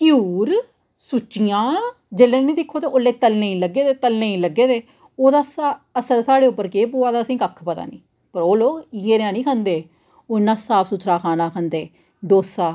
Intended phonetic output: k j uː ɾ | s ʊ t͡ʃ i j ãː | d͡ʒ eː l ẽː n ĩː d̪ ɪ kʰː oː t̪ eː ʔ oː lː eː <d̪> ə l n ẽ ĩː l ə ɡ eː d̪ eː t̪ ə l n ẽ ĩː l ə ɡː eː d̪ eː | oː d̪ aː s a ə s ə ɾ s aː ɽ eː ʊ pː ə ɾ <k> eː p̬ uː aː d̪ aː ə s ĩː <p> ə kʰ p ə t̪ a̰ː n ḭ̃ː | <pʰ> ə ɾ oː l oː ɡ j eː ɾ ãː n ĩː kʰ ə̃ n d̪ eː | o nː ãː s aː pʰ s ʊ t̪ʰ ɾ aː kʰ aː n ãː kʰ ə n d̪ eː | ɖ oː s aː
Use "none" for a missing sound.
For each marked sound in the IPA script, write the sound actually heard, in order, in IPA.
t̪, k, k, p

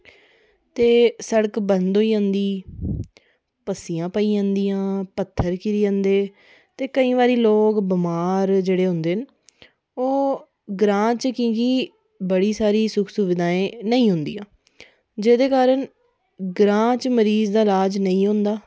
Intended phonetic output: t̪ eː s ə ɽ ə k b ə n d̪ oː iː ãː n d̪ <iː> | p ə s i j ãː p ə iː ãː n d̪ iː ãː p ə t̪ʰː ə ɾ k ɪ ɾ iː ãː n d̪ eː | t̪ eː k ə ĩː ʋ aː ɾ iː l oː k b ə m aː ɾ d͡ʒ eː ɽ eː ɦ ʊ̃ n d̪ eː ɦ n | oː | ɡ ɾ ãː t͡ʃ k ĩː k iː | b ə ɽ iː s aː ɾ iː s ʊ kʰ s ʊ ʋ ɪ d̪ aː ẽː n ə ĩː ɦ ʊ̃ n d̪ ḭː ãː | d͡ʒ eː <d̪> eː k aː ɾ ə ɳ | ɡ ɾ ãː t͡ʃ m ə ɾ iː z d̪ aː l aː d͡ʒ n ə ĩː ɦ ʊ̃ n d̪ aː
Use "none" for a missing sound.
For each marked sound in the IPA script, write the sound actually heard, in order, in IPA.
iː, d̪

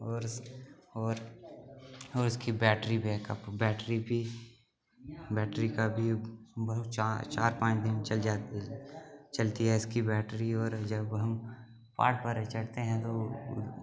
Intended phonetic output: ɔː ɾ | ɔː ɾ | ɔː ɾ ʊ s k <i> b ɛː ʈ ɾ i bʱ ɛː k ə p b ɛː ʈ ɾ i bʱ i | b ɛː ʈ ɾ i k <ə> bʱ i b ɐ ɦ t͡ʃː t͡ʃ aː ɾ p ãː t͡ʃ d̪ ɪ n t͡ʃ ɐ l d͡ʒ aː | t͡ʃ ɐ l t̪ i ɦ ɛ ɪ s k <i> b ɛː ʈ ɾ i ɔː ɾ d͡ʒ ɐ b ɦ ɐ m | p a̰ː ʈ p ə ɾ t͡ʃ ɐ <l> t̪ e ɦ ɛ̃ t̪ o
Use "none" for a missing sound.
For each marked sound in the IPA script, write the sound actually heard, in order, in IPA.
i, a, i, ɽ

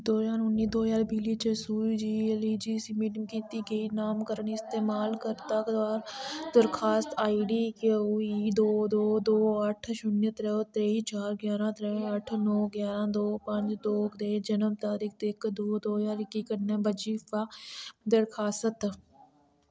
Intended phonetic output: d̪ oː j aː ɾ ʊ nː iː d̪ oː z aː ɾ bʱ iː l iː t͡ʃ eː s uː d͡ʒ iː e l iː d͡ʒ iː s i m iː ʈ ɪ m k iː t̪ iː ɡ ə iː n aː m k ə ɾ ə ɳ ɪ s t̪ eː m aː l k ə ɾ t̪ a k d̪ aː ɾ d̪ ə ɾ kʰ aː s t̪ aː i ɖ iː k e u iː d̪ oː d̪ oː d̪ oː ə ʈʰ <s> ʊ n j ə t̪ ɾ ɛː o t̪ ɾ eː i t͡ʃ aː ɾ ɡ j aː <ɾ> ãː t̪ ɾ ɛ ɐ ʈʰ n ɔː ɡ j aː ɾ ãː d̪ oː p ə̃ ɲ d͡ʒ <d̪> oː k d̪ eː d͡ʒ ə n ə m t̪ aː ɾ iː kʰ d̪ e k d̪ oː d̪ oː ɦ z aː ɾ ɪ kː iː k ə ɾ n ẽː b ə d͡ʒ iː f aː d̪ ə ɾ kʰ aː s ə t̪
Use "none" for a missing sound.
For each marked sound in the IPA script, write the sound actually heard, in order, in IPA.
ʃ, ɾ, d̪

